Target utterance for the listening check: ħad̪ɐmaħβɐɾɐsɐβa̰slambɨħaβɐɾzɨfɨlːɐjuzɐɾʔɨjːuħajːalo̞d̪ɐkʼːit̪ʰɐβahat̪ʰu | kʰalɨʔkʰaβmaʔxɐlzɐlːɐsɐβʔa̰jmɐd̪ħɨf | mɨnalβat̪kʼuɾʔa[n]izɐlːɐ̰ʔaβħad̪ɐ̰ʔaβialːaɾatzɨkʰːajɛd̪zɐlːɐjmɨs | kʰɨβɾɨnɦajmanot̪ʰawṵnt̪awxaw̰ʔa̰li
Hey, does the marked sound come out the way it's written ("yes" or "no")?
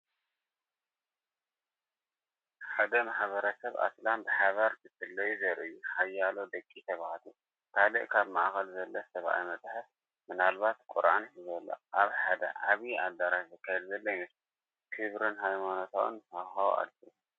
yes